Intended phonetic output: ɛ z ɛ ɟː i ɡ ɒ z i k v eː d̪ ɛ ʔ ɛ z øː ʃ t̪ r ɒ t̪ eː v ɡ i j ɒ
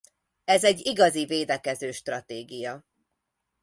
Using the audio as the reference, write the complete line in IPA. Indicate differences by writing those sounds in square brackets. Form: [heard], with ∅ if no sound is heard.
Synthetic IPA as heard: ɛ z ɛ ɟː i ɡ ɒ z i [∅] v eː d̪ ɛ [k] ɛ z øː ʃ t̪ r ɒ t̪ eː [∅] ɡ i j ɒ